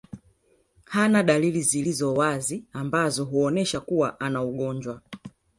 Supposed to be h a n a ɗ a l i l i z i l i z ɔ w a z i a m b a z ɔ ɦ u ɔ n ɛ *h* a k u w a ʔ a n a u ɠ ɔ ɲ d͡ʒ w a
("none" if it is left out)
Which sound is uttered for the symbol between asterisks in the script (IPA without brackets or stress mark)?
ʃ